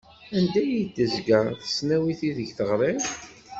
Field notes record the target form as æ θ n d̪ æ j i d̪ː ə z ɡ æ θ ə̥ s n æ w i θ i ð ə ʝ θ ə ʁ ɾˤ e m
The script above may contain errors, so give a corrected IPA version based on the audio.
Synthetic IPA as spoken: æ n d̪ æ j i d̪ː ə z ɡ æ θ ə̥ s n æ w i θ i ð ə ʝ θ ə ʁ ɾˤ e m